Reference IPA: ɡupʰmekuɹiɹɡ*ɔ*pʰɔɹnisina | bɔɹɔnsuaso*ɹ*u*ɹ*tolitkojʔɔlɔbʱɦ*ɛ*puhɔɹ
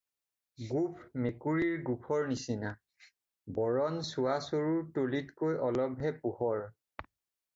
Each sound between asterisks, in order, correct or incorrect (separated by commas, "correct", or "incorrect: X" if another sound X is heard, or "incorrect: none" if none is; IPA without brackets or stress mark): incorrect: u, correct, correct, correct